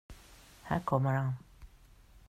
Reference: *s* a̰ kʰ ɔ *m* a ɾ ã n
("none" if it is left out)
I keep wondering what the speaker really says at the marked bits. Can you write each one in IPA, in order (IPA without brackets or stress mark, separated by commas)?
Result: h, m